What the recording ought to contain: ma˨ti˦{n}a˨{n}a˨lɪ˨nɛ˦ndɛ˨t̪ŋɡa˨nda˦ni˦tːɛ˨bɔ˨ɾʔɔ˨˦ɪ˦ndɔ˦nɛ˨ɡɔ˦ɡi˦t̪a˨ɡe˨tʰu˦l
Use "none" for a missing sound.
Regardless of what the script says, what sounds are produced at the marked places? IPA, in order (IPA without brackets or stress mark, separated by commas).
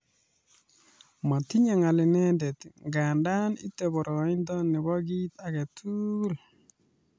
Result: ɲ, ŋ